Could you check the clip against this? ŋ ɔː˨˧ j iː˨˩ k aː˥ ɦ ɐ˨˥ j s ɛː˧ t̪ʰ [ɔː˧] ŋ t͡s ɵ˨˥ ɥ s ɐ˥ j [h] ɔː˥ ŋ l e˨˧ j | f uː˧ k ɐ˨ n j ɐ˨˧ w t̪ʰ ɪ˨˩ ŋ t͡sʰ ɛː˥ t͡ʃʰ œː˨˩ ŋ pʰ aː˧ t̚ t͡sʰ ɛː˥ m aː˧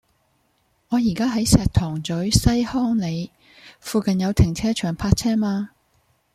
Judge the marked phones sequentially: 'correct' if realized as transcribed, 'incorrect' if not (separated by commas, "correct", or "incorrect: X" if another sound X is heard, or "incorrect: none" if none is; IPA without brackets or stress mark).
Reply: incorrect: ɔː˨˩, correct